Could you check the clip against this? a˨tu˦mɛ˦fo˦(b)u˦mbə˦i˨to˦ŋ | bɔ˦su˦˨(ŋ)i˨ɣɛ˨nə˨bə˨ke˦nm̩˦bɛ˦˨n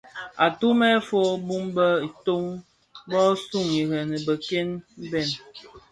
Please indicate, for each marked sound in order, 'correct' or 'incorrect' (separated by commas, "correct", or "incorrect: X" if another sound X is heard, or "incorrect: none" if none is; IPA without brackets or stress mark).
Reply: correct, correct